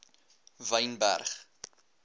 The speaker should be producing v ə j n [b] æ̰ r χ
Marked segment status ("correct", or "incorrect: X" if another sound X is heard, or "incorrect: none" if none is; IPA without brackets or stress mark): correct